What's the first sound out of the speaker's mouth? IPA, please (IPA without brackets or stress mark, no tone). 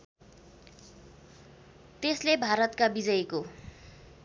t̪